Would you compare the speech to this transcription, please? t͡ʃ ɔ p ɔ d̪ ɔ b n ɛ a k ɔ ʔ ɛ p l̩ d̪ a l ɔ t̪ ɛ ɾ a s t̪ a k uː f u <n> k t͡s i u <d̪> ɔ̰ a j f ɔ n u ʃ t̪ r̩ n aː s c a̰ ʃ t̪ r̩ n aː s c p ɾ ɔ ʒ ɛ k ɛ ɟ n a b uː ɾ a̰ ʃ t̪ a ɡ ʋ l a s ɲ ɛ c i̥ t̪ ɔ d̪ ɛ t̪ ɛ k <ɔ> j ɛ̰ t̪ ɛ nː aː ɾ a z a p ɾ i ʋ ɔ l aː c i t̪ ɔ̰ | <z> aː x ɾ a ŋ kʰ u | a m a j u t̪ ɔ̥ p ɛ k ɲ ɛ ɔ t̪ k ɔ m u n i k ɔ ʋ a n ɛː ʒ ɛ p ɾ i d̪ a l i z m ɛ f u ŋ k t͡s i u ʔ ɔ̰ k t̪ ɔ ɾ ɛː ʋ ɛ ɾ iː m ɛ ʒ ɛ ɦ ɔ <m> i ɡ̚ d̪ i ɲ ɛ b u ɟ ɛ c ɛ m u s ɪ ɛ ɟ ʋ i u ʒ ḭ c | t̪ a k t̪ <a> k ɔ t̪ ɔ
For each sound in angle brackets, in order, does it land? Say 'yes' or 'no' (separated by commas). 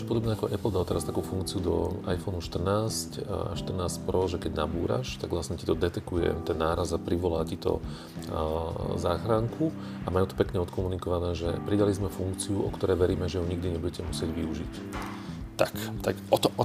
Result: no, yes, no, yes, no, yes